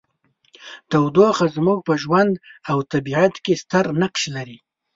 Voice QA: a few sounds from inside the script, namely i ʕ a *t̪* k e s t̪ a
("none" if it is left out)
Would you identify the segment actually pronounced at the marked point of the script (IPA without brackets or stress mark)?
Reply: t̪